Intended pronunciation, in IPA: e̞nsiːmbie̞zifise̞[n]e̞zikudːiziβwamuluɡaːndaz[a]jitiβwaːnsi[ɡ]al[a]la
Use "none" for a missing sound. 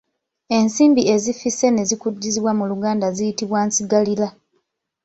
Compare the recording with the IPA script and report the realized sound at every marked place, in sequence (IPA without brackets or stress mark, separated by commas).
n, i, ɡ, i